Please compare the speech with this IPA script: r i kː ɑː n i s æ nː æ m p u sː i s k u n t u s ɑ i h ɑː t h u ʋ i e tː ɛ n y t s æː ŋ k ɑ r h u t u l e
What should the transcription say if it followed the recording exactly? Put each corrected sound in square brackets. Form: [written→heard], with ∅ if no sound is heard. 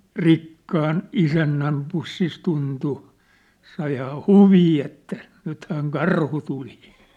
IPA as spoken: r i kː ɑː n i s æ nː æ m p u sː i s [k→t] u n t u s ɑ i h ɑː [t→∅] h u ʋ [i→iː] e tː [ɛ→æ] n y t [s→h] æː ŋ k ɑ r h u t u l [e→i]